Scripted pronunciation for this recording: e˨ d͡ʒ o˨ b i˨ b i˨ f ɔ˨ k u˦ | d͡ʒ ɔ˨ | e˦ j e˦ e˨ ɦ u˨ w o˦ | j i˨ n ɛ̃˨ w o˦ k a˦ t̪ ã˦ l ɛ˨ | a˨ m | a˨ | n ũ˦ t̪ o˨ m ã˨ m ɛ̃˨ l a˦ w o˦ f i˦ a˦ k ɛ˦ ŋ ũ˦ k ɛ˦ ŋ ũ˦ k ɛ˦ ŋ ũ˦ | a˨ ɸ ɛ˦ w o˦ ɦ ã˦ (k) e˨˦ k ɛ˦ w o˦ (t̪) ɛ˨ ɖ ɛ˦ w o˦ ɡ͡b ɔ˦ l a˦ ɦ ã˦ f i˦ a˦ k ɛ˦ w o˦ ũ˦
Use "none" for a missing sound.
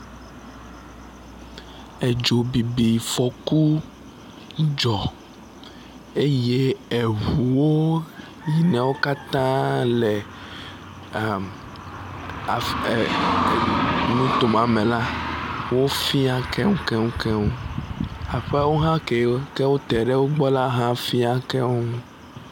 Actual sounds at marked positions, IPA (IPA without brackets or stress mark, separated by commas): k, t̪